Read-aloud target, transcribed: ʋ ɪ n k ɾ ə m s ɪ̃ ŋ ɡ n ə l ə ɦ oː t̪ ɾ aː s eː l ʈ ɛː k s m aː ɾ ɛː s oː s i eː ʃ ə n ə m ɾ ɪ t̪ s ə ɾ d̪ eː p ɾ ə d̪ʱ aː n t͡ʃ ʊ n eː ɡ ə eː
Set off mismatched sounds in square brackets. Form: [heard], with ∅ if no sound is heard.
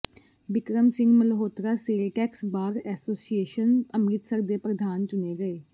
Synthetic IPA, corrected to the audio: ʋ ɪ [∅] k ɾ ə m s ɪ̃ ŋ ɡ [m] ə l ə ɦ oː t̪ ɾ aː s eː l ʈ ɛː k s [b] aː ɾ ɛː s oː s i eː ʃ ə n ə m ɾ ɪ t̪ s ə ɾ d̪ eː p ɾ ə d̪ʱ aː n t͡ʃ ʊ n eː ɡ ə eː